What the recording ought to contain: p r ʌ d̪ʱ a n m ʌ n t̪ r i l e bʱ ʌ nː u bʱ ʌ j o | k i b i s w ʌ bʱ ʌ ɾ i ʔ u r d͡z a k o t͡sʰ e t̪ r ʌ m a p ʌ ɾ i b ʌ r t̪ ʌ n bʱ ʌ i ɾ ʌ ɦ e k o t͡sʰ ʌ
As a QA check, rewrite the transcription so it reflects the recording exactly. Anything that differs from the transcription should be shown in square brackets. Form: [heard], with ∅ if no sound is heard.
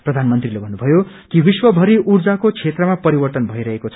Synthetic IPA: p r ʌ d̪ʱ a n m ʌ n t̪ r i l e bʱ ʌ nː u bʱ ʌ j o | k i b i s w ʌ bʱ ʌ ɾ i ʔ u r d͡z a k o t͡sʰ e t̪ r ʌ m a p ʌ ɾ i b ʌ r t̪ ʌ n bʱ ʌ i ɾ ʌ ɦ e k o t͡sʰ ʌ